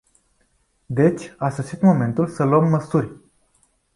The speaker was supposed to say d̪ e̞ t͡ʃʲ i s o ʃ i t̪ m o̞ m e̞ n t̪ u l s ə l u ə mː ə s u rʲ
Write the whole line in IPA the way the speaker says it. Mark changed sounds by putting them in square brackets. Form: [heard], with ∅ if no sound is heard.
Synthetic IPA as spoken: d̪ e̞ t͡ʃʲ [a] s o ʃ i t̪ m o̞ m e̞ n t̪ u l s ə l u ə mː ə s u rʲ

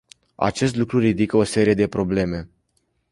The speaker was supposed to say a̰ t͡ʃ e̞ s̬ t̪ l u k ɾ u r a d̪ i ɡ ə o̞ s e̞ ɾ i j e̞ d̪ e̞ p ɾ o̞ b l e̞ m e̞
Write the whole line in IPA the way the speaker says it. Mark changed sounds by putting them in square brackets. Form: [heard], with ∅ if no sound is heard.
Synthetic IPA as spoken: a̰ t͡ʃ e̞ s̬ t̪ l u k ɾ u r [i] d̪ i [k] ə o̞ s e̞ ɾ i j e̞ d̪ e̞ p ɾ o̞ b l e̞ m e̞

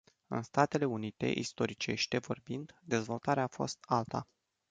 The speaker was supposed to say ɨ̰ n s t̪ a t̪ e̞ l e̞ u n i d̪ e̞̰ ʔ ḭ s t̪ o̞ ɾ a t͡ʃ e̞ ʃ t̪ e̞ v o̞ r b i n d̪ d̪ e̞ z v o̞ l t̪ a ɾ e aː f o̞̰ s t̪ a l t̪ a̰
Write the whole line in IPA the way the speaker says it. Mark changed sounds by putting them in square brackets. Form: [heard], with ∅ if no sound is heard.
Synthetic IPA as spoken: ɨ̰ n s t̪ a t̪ e̞ l e̞ u n i [t̪] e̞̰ ʔ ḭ s t̪ o̞ ɾ [i] t͡ʃ e̞ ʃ t̪ e̞ v o̞ r b i n d̪ d̪ e̞ z v o̞ l t̪ a ɾ e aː f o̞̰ s t̪ a l t̪ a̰

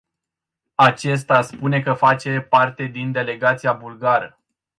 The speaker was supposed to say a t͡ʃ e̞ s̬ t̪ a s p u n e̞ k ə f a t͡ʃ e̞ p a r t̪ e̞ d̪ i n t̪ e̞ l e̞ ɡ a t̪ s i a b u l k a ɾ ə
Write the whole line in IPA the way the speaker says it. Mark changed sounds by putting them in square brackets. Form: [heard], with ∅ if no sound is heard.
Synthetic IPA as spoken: a t͡ʃ e̞ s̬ t̪ a s p u n e̞ k ə f a t͡ʃ e̞ p a r t̪ e̞ d̪ i n [d̪] e̞ l e̞ ɡ a t̪ s i a b u l [ɡ] a ɾ ə

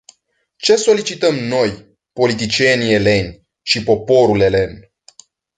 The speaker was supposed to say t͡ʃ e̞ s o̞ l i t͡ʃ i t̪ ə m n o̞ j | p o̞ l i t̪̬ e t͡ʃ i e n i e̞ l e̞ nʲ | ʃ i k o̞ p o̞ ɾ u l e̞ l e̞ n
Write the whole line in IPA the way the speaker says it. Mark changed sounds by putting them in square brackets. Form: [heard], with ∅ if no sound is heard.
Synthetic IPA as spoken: t͡ʃ e̞ s o̞ l i t͡ʃ i t̪ ə m n o̞ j | p o̞ l i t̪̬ [i] t͡ʃ i e n i e̞ l e̞ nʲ | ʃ i [p] o̞ p o̞ ɾ u l e̞ l e̞ n

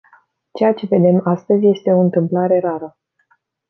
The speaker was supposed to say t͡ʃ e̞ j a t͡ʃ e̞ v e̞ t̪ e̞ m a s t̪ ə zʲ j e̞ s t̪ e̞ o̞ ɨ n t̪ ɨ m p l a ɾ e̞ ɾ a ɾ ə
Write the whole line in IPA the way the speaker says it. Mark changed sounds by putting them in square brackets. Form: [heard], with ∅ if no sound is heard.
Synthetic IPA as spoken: t͡ʃ e̞ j a t͡ʃ e̞ v e̞ [d̪] e̞ m a s t̪ ə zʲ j e̞ s t̪ e̞ o̞ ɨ n t̪ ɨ m p l a ɾ e̞ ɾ a ɾ ə

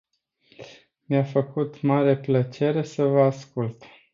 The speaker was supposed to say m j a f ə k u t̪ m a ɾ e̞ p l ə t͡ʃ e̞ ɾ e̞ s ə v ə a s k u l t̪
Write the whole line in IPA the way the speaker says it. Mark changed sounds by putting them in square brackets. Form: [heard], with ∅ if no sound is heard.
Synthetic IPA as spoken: m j a f ə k u t̪ m a ɾ e̞ p l ə t͡ʃ e̞ ɾ e̞ s ə v ə a s k u l t̪

